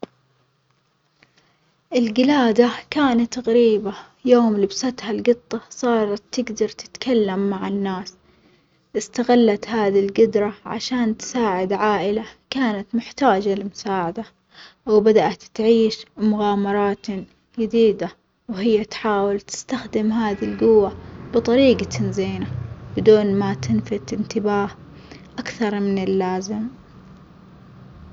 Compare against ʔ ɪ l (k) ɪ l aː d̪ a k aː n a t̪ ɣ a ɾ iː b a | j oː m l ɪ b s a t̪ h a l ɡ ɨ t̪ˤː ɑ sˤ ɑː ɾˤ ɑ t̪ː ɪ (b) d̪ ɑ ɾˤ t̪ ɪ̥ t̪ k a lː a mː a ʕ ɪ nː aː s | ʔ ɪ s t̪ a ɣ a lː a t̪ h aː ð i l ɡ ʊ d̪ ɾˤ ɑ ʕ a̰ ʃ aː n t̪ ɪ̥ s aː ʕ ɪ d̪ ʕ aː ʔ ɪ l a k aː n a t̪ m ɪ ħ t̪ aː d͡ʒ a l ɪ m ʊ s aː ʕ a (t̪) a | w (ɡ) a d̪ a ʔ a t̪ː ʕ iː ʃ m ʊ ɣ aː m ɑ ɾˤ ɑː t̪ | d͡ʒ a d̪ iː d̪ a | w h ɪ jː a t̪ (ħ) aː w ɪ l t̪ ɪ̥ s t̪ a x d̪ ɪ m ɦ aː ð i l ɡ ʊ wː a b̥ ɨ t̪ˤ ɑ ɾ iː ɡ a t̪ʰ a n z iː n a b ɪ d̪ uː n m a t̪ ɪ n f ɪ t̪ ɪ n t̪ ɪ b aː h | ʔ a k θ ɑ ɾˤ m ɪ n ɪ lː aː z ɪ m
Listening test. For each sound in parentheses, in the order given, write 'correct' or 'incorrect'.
incorrect: ɡ, incorrect: ɡ, incorrect: d̪, incorrect: b, correct

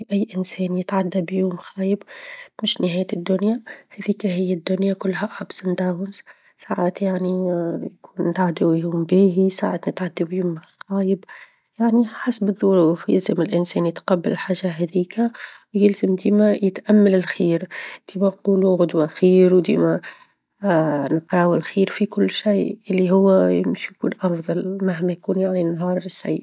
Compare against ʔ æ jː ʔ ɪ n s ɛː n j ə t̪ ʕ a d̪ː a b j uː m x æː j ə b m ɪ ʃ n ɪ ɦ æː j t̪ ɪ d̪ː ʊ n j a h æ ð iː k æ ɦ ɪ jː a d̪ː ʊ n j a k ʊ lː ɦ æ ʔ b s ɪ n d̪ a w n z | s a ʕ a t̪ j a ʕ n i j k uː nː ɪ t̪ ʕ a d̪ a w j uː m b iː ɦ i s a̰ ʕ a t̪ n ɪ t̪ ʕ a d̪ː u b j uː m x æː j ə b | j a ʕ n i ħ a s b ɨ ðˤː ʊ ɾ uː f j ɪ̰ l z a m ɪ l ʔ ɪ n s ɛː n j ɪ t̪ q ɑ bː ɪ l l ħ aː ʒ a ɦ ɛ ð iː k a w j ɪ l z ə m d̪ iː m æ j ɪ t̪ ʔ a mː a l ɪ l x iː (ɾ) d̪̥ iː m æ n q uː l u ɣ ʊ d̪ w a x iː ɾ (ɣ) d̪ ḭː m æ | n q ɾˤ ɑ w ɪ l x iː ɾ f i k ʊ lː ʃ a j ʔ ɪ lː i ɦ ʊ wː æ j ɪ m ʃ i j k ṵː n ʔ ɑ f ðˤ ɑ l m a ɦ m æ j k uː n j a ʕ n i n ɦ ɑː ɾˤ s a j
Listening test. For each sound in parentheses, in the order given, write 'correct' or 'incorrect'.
correct, incorrect: w

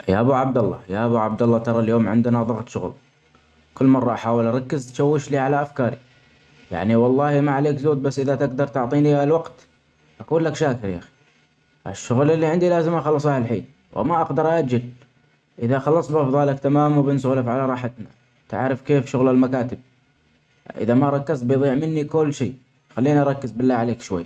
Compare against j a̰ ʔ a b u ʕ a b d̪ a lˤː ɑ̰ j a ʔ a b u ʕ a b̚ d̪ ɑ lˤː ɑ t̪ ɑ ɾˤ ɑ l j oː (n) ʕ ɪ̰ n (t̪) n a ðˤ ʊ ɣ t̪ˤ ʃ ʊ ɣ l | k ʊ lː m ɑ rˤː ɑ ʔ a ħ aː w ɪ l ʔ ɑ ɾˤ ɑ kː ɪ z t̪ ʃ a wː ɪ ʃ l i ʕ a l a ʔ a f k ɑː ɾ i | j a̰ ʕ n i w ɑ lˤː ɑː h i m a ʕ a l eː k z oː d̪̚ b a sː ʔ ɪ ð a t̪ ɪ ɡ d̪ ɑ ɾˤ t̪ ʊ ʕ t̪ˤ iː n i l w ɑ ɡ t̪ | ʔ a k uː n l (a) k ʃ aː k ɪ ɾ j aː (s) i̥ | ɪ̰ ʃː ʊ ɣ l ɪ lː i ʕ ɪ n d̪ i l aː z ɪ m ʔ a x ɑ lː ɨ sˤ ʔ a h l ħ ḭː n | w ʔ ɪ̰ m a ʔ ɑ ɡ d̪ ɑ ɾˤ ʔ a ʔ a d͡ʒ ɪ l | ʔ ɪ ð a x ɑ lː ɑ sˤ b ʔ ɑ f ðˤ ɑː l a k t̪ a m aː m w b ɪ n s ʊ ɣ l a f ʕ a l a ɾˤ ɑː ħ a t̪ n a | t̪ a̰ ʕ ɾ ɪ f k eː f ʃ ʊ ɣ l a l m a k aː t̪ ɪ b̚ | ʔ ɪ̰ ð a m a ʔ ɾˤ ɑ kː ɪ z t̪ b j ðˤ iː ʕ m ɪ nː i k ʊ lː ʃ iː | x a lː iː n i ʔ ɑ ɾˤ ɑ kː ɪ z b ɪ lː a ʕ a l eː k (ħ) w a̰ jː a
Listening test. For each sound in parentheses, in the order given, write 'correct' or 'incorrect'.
incorrect: m, incorrect: d̪, correct, incorrect: x, incorrect: ʃ

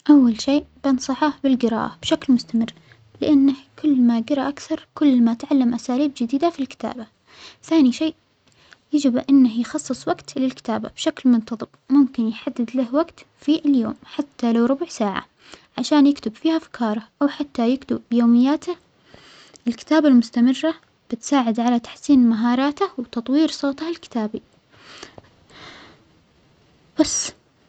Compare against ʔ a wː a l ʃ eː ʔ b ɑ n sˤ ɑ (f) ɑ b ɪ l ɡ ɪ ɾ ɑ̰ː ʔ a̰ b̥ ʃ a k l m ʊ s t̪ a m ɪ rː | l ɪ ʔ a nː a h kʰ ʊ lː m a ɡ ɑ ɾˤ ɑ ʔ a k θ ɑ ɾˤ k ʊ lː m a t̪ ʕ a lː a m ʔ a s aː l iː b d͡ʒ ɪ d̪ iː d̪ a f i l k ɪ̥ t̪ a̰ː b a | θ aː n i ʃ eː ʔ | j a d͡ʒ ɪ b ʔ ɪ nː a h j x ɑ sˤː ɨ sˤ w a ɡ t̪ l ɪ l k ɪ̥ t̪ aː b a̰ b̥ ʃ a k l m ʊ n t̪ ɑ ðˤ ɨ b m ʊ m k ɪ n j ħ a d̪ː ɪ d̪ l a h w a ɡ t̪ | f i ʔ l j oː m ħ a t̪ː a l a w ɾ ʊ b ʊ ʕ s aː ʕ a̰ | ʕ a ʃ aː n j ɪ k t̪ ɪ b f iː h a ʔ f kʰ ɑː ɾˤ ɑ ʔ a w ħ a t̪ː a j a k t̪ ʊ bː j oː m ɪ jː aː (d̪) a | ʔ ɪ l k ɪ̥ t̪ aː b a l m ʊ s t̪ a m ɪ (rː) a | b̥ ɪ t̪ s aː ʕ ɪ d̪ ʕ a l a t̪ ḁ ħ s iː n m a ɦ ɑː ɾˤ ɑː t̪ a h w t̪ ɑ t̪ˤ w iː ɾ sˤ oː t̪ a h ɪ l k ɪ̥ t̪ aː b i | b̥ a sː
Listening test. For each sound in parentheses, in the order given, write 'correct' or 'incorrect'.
incorrect: ħ, incorrect: t̪, correct

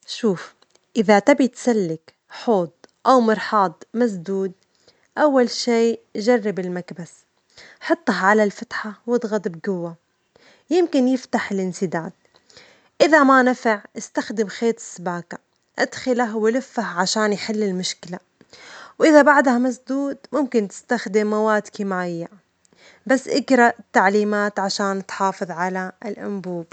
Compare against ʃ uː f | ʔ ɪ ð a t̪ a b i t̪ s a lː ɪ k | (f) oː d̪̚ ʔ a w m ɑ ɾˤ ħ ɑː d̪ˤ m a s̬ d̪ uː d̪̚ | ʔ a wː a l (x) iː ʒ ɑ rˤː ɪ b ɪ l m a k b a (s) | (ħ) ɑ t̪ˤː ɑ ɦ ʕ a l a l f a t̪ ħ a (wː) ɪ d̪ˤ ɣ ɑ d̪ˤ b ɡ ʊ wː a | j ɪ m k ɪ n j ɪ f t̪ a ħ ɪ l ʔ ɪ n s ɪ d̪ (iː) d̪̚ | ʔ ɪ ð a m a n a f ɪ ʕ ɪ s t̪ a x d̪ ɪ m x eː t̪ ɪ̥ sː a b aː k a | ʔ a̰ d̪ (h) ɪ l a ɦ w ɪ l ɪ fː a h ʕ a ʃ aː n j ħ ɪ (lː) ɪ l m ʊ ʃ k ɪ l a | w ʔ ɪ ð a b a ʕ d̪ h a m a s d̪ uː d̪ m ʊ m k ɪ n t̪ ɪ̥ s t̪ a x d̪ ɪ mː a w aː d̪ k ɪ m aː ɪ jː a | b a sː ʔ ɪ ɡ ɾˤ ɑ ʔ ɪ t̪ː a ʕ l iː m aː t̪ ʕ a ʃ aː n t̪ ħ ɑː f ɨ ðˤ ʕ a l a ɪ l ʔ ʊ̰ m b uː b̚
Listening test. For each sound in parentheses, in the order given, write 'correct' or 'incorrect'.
incorrect: ħ, incorrect: ʃ, correct, correct, incorrect: w, incorrect: aː, incorrect: x, correct

